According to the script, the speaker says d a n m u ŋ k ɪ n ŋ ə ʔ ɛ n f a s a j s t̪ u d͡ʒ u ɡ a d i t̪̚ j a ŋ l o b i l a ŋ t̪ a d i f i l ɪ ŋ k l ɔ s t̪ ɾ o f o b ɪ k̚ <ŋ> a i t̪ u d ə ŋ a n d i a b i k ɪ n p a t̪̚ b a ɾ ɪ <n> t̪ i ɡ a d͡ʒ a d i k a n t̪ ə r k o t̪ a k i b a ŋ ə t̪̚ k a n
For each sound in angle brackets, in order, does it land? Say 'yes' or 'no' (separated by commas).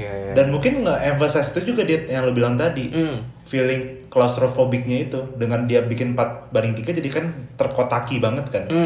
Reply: no, no